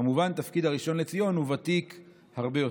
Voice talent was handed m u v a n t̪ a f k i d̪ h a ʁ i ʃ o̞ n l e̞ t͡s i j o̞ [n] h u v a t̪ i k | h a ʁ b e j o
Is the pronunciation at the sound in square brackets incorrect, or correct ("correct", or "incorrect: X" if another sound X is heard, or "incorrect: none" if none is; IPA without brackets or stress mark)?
correct